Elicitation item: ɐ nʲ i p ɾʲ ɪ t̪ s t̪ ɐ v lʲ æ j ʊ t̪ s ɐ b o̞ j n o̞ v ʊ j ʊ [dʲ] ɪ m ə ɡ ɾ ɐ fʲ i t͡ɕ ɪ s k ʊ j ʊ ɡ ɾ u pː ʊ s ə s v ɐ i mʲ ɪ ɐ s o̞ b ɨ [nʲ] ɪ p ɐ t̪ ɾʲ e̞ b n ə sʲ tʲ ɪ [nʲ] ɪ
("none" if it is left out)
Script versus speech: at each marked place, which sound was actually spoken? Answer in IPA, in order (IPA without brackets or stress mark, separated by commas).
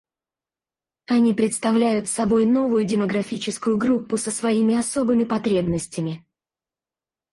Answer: dʲ, mʲ, mʲ